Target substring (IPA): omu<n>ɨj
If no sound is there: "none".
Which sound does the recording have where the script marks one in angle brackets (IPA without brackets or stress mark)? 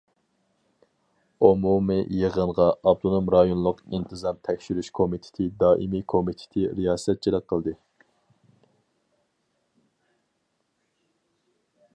m